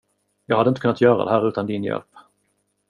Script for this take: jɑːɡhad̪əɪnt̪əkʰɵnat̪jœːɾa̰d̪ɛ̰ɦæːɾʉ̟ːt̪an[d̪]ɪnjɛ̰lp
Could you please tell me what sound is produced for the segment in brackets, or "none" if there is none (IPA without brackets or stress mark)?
d̪